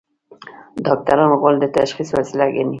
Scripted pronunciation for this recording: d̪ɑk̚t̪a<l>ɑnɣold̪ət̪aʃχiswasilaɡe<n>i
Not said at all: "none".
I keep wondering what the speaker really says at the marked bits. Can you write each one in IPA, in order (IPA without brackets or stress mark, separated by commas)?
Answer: ɾ, n